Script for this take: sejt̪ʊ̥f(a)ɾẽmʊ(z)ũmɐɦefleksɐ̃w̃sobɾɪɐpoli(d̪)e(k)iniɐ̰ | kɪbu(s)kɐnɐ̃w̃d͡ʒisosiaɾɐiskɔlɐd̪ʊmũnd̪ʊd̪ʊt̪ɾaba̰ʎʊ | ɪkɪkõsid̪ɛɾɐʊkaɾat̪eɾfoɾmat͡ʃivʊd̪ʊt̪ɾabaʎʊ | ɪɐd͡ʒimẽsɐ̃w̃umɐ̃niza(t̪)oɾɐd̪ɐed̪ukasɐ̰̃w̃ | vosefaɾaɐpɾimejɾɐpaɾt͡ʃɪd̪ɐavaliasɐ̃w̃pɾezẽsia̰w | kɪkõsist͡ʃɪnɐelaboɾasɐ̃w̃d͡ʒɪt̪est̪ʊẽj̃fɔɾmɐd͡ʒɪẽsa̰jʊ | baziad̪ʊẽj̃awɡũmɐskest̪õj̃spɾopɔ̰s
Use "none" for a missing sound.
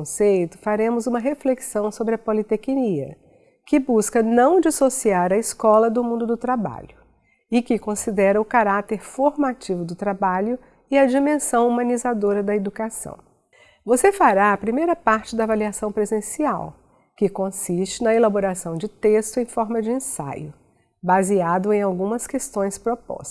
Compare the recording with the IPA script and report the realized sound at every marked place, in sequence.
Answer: a, z, t̪, k, s, d̪

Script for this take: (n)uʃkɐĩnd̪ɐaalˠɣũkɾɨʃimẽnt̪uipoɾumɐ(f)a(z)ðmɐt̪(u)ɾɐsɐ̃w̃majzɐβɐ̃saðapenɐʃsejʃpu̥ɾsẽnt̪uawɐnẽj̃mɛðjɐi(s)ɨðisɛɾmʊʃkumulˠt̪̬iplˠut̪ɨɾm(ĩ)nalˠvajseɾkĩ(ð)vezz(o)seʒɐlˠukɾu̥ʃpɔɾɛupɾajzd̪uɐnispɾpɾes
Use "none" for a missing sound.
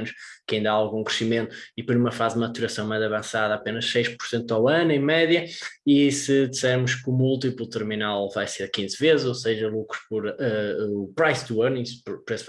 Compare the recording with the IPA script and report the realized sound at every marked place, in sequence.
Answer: n, f, z, u, s, i, z, o

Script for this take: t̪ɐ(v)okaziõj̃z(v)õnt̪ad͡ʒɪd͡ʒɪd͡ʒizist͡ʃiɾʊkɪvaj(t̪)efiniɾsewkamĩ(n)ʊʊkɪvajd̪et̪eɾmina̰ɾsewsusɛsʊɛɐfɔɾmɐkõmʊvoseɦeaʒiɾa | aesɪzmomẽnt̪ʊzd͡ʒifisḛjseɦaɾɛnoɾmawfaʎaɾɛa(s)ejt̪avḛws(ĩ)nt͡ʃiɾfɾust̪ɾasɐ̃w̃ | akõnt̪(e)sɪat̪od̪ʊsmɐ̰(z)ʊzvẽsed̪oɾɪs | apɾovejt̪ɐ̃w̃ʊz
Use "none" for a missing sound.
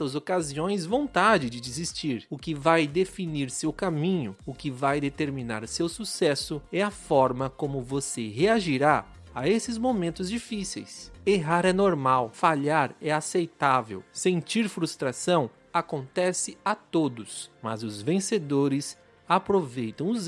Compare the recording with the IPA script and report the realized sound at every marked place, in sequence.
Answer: z, v, d̪, ɲ, s, ẽ, ɛ, z

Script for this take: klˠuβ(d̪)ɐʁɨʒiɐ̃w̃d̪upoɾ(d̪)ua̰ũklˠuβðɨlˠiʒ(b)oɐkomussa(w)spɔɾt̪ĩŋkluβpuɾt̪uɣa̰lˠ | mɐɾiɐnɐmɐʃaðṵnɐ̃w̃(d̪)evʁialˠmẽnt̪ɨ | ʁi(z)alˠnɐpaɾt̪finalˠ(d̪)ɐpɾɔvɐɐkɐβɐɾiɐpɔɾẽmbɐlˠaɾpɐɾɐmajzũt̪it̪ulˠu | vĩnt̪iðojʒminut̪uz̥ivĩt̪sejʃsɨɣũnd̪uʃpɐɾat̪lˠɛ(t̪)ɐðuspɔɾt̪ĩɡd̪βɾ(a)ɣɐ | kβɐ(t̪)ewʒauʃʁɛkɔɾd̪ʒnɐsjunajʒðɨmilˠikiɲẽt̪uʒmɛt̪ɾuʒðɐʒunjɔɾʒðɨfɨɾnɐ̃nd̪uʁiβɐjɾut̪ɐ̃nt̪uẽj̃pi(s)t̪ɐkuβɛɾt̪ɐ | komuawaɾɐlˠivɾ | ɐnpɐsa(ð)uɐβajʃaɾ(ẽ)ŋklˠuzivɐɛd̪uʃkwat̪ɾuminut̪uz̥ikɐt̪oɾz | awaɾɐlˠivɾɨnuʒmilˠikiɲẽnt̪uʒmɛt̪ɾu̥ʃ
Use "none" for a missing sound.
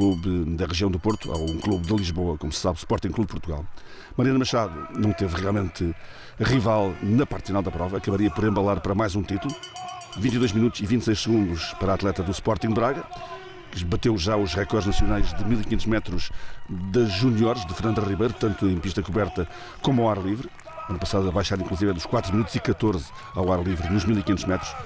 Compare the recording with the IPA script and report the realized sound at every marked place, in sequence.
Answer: d̪, t̪, β, β, t̪, v, d̪, t̪, a, t̪, ʃ, ð, ĩ

